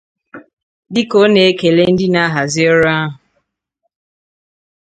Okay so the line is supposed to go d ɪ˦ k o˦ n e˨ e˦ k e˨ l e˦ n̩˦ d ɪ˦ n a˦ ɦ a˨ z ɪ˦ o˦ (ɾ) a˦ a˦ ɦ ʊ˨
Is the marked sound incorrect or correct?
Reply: correct